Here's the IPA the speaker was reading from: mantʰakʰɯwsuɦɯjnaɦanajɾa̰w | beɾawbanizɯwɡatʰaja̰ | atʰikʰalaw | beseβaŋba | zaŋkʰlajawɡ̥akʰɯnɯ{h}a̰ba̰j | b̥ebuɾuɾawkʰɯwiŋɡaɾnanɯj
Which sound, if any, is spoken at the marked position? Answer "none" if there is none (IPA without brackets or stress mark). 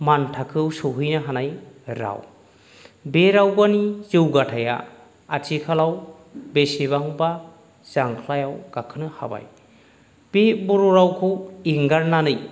h